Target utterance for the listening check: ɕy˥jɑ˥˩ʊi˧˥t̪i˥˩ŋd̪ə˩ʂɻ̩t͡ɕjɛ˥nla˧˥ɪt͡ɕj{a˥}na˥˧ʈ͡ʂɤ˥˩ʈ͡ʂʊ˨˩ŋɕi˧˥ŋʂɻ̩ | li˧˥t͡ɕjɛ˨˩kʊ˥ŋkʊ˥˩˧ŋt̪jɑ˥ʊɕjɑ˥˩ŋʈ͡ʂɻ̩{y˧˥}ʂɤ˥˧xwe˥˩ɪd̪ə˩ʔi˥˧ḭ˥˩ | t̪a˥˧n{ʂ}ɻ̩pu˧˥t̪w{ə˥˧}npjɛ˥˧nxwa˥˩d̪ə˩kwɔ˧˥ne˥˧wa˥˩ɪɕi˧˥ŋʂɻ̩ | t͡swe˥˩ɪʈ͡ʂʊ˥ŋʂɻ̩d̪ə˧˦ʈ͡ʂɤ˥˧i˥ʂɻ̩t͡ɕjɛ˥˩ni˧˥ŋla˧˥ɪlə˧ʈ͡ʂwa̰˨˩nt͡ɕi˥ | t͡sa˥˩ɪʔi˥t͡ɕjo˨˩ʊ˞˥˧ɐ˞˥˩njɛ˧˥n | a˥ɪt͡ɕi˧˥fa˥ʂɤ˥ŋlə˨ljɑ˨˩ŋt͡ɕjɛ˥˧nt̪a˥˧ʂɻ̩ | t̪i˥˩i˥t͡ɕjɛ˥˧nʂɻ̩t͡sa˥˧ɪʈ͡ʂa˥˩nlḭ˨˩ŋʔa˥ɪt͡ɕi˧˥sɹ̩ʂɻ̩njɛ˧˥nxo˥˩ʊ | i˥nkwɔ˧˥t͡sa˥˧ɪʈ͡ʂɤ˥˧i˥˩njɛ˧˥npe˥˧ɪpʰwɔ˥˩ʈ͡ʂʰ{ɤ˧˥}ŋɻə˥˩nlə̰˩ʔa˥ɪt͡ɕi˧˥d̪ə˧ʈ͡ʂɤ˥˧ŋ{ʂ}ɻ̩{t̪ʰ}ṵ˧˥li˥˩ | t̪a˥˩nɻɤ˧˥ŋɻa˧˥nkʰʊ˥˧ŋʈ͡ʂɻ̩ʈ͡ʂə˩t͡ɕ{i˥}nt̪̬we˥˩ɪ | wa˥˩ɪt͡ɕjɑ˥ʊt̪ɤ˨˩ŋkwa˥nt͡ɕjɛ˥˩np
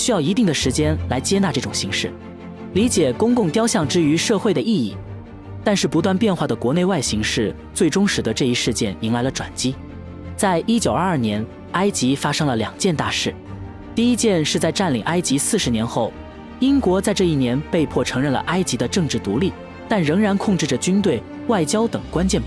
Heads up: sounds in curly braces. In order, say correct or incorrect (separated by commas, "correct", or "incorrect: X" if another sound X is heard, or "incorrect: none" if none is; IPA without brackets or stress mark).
incorrect: ɛ˥, correct, correct, incorrect: a˥˧, correct, incorrect: ʈ͡ʂ, incorrect: t̪, incorrect: y˥